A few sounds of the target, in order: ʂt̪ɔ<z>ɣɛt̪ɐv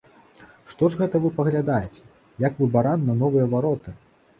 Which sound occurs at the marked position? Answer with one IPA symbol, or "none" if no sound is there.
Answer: ʐ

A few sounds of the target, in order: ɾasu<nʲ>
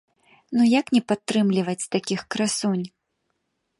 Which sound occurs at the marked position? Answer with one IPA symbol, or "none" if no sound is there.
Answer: nʲ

